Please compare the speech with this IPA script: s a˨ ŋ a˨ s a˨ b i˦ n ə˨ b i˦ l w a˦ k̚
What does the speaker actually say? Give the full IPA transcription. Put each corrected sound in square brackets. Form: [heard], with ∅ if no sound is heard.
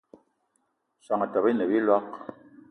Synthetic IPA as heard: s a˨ ŋ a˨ [t] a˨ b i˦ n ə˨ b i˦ l w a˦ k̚